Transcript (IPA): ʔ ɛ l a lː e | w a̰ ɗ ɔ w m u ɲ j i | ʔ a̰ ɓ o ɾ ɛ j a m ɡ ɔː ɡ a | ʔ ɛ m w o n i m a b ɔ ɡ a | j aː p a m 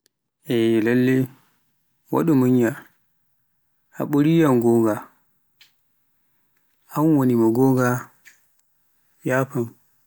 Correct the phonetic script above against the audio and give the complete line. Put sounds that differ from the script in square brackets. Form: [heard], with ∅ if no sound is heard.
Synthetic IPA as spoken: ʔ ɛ l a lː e | w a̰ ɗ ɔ [∅] m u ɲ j [a] | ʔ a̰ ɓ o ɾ [i] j a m ɡ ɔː ɡ a | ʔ [a] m w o n i m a [ɡ] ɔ ɡ a | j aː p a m